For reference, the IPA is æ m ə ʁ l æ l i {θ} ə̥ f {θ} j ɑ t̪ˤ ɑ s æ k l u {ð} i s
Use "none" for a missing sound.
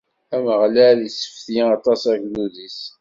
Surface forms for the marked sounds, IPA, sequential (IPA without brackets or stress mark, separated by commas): s, θ, ð